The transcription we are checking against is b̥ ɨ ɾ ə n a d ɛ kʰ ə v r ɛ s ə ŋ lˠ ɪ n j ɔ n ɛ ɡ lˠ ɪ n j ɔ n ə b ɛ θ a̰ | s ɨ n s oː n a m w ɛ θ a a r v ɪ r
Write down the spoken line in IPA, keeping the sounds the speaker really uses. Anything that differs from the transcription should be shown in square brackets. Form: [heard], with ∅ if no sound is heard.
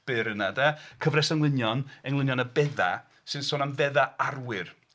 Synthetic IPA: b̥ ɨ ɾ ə n a d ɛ kʰ ə v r ɛ s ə ŋ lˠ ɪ n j ɔ n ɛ [ŋ] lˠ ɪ n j ɔ n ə b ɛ [ð] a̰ | s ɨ n s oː n a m [v] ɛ [ð] a a r [w] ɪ r